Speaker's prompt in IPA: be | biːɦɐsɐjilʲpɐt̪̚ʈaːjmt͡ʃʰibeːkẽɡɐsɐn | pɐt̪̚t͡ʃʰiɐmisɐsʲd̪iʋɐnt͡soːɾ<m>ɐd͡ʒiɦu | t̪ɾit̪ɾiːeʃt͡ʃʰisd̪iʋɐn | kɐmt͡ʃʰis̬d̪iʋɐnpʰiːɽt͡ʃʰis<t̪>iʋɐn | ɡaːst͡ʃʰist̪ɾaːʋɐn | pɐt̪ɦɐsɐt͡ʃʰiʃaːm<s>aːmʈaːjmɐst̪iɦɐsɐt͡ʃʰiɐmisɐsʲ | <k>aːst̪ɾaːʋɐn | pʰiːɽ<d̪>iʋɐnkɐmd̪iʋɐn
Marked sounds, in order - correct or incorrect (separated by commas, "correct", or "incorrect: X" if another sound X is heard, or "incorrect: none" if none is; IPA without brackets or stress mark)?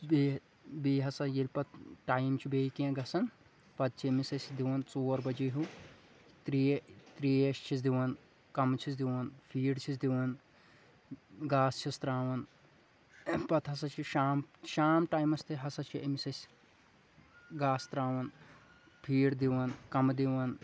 incorrect: b, incorrect: d̪, incorrect: ʃ, incorrect: ɡ, correct